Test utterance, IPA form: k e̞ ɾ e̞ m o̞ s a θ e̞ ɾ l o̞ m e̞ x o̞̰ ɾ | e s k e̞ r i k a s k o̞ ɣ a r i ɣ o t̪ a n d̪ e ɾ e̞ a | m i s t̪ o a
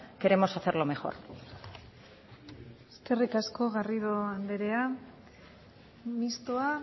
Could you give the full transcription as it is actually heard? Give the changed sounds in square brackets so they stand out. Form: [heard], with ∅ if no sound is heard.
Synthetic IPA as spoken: k e̞ ɾ e̞ m o̞ s a θ e̞ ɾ l o̞ m e̞ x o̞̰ ɾ | e s k e̞ r i k a s k o̞ ɣ a r i [ð] o [∅] a n d̪ e ɾ e̞ a | m i s t̪ o a